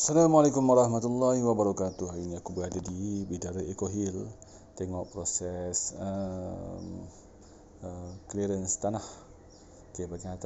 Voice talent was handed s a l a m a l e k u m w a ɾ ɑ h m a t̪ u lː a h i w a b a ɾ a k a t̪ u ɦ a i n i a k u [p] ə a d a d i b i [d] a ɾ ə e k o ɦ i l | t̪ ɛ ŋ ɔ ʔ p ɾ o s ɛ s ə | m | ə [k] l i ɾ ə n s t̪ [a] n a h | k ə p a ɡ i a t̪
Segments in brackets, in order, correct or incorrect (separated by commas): incorrect, correct, correct, correct